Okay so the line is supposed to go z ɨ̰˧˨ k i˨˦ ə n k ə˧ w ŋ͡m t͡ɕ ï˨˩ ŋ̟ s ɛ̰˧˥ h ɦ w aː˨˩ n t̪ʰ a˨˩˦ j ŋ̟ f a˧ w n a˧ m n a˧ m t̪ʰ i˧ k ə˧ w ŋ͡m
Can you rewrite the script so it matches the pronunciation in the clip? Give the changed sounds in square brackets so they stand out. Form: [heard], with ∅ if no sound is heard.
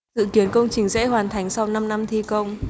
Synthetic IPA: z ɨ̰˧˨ k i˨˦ ə n k ə˧ w ŋ͡m t͡ɕ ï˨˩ ŋ̟ [z] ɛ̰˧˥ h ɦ w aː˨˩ n t̪ʰ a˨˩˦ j ŋ̟ [s] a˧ w n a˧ m n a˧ m t̪ʰ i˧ k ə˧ w ŋ͡m